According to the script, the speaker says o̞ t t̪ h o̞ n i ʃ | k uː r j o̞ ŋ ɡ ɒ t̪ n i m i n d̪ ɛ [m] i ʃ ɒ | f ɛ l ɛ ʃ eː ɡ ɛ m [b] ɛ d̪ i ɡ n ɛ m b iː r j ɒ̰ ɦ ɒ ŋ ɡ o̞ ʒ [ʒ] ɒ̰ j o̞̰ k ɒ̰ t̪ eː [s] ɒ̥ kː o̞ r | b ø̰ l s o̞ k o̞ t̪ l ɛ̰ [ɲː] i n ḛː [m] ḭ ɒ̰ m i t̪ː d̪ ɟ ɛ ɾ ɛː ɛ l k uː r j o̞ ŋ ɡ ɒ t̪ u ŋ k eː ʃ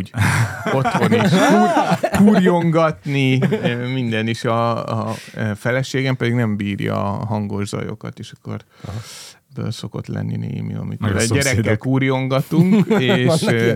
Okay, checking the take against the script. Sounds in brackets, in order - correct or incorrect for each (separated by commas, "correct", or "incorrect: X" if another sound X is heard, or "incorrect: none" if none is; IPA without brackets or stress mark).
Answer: incorrect: n, incorrect: p, incorrect: z, incorrect: ʃ, incorrect: nː, correct